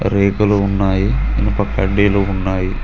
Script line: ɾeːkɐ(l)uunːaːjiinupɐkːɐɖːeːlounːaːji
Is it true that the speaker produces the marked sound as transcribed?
yes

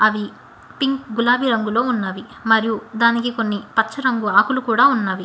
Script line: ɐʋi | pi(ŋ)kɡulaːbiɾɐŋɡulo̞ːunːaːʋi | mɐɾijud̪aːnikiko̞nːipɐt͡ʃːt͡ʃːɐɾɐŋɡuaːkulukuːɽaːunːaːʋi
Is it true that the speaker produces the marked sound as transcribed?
yes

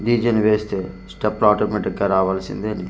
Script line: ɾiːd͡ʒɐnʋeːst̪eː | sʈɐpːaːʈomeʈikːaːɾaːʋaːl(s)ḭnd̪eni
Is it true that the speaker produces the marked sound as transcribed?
yes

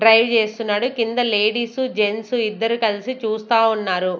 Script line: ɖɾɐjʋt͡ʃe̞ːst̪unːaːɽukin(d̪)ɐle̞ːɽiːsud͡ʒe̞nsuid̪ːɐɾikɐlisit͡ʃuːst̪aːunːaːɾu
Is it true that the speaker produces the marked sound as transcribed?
yes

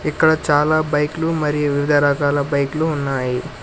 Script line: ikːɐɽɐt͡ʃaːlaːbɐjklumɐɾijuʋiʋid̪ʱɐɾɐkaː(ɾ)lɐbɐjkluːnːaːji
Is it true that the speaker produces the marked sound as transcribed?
no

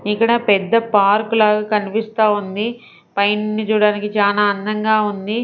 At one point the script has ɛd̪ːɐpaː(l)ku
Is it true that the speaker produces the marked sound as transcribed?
no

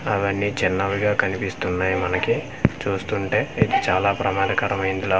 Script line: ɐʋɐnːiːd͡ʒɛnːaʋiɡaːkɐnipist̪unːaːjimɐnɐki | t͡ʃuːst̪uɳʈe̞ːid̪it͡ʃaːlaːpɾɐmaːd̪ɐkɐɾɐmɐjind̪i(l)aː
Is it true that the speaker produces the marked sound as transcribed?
yes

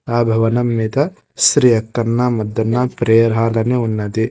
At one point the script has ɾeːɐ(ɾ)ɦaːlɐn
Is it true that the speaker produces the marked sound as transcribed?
yes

